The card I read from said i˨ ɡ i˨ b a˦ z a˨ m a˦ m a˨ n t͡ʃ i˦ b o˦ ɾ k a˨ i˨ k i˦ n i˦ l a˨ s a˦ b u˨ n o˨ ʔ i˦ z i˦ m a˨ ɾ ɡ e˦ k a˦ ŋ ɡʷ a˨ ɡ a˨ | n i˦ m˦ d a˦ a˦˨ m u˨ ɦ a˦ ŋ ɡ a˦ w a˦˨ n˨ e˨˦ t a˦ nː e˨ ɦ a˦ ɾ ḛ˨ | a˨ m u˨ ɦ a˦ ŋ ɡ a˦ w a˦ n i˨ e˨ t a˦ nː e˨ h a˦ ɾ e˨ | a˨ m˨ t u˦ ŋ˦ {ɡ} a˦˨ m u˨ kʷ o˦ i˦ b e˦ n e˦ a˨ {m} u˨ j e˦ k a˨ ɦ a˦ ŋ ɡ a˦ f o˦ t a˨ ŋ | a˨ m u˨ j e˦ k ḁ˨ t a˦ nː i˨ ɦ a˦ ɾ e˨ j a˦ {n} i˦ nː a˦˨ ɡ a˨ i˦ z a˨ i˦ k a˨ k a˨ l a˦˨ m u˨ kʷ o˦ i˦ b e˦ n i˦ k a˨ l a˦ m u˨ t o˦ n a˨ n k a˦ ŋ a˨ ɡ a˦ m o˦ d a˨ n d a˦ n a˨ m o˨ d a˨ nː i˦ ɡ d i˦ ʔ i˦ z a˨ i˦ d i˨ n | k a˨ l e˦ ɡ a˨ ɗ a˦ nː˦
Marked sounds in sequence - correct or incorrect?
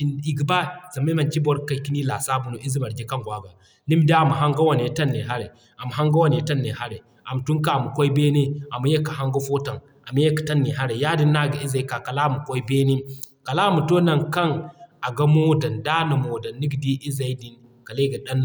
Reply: incorrect: k, correct, incorrect: d

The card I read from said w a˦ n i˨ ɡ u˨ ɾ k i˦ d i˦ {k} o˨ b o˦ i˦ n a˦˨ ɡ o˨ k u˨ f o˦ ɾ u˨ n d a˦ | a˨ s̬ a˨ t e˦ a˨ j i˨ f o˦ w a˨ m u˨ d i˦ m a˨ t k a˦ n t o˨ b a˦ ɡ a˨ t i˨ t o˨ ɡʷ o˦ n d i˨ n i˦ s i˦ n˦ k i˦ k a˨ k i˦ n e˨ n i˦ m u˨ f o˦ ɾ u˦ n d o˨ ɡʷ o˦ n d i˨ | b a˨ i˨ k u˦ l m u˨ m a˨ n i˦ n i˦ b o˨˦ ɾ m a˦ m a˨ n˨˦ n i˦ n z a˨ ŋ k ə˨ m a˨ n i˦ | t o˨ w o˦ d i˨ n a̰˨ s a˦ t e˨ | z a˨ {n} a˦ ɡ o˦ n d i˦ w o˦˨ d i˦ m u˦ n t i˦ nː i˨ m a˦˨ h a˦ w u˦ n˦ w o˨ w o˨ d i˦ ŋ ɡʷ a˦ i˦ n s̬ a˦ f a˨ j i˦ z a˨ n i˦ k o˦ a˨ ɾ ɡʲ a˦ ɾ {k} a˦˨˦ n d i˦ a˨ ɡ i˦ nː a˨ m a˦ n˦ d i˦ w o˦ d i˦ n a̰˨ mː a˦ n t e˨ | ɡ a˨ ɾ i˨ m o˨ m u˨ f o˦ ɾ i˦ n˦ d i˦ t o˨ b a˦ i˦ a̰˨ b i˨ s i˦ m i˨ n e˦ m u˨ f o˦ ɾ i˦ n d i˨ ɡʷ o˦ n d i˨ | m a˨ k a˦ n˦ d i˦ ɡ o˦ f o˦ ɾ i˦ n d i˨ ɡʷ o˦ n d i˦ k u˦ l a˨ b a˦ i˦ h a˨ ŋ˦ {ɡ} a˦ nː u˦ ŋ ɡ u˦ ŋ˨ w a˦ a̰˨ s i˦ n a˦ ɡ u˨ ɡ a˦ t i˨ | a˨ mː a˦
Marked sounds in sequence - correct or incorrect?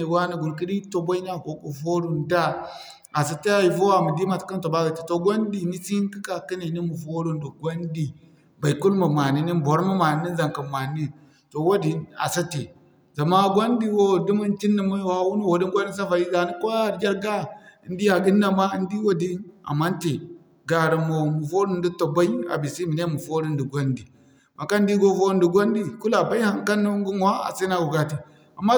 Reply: incorrect: t, incorrect: m, incorrect: ɡ, incorrect: k

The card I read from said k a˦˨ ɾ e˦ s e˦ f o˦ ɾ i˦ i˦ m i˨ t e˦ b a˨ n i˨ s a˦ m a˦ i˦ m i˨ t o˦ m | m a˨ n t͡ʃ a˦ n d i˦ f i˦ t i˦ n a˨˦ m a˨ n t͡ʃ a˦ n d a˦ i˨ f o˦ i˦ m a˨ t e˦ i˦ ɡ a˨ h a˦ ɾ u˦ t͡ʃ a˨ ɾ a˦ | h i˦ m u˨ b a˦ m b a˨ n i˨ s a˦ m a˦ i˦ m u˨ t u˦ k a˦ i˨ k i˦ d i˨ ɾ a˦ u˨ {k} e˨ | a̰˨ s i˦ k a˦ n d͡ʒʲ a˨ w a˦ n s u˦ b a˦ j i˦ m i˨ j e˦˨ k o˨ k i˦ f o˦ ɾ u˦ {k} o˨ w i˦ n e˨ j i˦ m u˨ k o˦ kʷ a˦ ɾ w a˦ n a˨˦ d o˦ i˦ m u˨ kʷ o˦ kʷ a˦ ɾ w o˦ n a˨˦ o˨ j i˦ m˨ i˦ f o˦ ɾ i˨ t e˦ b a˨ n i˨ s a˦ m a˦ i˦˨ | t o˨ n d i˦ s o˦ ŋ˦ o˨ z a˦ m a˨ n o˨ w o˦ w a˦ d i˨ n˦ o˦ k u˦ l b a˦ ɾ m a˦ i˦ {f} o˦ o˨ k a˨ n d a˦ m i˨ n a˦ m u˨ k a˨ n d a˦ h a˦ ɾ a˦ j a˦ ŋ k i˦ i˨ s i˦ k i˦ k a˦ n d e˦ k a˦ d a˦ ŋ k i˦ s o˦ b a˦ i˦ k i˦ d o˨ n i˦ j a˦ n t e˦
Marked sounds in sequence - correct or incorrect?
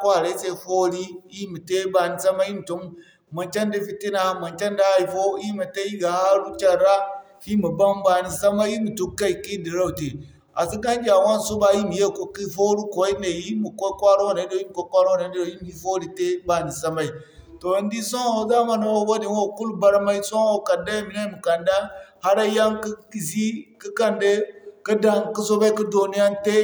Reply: incorrect: t, correct, incorrect: s

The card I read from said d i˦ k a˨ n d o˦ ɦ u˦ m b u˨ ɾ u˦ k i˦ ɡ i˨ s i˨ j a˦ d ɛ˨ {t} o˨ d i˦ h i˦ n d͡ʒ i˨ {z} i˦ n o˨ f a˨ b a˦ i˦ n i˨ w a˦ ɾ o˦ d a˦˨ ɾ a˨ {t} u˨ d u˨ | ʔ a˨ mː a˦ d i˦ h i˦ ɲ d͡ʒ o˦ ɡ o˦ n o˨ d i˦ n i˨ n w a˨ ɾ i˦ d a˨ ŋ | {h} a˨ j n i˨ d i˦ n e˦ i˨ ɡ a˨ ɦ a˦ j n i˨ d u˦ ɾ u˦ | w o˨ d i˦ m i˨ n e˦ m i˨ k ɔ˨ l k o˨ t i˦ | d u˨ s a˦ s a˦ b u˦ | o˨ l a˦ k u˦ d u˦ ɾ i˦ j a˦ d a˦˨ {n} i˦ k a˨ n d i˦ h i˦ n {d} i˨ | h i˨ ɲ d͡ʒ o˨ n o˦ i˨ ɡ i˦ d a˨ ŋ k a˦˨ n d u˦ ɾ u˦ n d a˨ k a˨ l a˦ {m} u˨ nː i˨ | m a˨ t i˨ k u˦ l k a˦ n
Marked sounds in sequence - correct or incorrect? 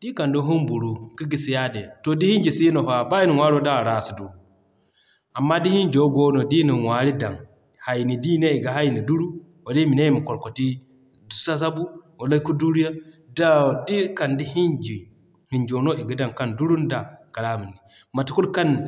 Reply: correct, incorrect: s, incorrect: s, correct, incorrect: d, incorrect: d͡ʒ, correct

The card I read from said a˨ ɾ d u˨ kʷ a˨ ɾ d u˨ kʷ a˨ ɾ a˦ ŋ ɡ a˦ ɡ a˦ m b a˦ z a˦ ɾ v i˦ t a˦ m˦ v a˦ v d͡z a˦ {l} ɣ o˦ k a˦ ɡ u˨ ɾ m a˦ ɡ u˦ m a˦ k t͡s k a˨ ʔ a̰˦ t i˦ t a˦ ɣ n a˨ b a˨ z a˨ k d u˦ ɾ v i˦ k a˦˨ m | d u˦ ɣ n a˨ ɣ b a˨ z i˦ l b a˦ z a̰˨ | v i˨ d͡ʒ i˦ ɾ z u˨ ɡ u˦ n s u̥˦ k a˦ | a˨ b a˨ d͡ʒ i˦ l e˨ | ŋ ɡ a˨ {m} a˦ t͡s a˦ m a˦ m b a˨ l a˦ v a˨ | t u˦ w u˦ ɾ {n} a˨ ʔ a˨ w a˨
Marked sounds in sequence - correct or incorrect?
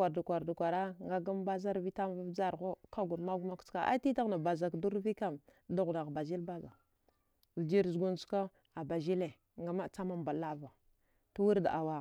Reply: incorrect: ɾ, correct, incorrect: d

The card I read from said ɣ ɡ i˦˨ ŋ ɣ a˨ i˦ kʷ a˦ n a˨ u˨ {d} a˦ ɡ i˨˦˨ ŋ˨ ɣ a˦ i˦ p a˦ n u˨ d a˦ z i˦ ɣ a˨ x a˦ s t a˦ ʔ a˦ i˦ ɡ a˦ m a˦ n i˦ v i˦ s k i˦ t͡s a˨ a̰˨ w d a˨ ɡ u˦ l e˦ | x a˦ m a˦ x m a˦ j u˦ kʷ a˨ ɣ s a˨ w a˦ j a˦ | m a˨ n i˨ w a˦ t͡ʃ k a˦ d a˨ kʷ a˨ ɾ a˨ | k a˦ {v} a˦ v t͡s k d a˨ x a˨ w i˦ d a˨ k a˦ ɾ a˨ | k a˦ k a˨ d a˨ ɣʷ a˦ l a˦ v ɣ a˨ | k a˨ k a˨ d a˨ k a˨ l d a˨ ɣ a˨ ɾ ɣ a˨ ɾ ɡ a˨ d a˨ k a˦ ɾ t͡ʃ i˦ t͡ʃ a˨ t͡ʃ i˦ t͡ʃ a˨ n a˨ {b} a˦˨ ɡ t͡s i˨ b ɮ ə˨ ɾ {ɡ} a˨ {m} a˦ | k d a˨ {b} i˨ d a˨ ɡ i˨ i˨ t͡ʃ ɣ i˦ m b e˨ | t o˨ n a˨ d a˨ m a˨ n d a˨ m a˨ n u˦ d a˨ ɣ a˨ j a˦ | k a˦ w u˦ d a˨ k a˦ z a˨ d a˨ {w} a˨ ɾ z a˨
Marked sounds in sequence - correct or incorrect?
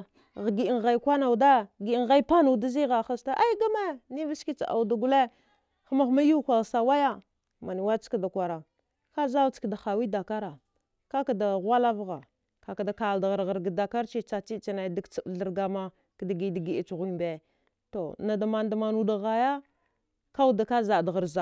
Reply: correct, incorrect: z, incorrect: d, correct, correct, incorrect: ɡ, incorrect: ɣ

